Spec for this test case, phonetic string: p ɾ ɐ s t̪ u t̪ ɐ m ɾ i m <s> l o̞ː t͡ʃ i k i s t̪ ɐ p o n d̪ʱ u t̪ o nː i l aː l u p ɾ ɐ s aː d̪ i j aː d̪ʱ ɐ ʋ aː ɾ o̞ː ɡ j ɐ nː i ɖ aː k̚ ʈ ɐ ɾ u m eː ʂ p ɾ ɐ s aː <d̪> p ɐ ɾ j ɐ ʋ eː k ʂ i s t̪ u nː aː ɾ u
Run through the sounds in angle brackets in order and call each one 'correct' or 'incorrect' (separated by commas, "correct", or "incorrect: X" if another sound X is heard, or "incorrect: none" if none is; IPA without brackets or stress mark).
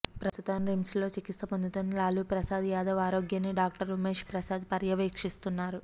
correct, correct